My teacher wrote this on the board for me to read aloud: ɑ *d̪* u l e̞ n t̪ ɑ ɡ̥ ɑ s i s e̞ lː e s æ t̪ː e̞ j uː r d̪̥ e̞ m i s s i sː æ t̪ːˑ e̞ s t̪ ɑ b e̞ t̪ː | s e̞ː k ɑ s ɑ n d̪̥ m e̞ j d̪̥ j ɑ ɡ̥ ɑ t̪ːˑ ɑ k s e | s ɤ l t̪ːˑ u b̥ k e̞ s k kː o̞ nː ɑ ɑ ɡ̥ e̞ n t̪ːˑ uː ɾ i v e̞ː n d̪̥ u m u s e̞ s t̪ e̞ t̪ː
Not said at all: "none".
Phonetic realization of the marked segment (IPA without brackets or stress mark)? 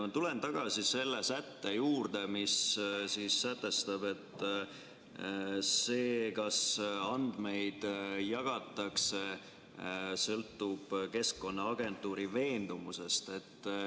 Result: t̪